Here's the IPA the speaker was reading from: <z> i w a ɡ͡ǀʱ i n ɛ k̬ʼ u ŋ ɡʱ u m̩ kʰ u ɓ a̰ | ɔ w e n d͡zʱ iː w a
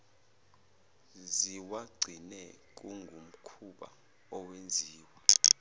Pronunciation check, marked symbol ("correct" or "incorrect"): correct